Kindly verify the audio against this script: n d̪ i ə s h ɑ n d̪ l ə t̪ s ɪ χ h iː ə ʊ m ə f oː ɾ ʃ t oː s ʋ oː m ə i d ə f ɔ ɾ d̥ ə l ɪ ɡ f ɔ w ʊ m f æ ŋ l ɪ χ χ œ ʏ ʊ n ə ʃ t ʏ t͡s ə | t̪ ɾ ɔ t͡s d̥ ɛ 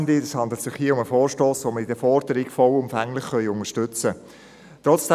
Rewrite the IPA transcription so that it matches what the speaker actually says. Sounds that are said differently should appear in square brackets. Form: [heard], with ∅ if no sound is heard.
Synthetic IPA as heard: n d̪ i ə s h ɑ n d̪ l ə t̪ s ɪ χ h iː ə ʊ m ə f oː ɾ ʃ t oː s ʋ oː m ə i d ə f ɔ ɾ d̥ ə [ɾ] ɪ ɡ f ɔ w ʊ m f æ ŋ l ɪ χ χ œ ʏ ʊ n ə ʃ t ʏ t͡s ə | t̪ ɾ ɔ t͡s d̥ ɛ